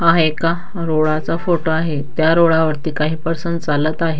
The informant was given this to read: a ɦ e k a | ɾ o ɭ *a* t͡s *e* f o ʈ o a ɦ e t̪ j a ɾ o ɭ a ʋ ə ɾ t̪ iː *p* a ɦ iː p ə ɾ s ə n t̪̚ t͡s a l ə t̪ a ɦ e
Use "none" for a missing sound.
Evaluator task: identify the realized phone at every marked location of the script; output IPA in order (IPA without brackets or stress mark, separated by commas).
a, a, k